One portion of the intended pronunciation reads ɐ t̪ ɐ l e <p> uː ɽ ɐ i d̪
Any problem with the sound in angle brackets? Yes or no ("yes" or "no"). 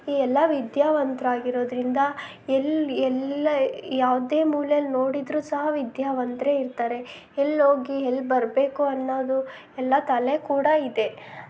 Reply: yes